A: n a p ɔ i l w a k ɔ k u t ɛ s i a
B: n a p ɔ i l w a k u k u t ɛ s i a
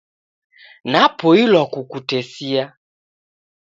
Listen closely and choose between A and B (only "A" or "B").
B